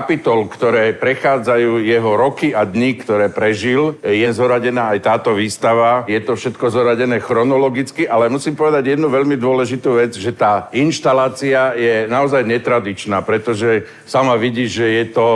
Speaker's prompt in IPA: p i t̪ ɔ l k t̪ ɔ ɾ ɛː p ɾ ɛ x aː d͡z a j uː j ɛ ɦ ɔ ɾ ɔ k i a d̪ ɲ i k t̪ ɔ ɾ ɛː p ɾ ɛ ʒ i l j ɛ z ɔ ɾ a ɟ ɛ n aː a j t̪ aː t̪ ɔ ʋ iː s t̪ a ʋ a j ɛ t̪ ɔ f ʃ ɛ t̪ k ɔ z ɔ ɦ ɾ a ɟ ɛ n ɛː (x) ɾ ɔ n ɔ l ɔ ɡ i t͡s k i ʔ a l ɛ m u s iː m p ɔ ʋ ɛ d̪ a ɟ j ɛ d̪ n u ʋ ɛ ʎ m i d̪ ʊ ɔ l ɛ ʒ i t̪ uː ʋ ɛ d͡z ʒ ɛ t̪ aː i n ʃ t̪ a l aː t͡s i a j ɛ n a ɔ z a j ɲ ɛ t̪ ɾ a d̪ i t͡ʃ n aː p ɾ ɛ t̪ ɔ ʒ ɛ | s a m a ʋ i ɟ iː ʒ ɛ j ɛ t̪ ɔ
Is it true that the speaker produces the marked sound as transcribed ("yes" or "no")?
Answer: yes